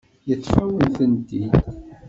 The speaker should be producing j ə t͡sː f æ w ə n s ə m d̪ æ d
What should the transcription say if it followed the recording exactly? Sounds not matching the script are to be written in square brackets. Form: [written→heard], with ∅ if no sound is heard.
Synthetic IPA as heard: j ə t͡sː f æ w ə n [s→θ] ə [m→n] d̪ [æ→i] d